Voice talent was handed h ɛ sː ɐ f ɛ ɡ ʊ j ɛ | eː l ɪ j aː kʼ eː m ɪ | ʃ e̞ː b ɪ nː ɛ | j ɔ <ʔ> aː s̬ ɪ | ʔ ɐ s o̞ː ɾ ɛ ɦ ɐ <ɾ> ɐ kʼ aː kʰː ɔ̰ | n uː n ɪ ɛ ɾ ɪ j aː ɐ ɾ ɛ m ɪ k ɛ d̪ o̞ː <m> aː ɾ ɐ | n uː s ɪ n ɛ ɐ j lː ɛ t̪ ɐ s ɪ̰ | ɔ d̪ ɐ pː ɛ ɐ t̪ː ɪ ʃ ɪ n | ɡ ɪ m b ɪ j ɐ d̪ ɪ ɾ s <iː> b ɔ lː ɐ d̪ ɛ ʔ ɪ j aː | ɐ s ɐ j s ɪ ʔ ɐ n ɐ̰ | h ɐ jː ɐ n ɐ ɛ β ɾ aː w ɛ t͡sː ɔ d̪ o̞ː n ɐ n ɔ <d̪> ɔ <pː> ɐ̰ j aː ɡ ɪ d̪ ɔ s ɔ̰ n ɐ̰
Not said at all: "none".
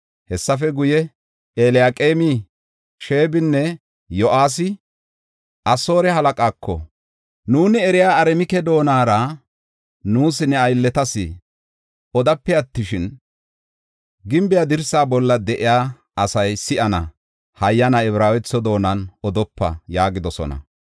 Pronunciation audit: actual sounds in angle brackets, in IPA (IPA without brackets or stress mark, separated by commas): ʔ, l, n, aː, d̪, pː